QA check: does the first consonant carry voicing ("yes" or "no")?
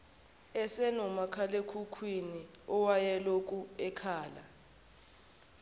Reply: no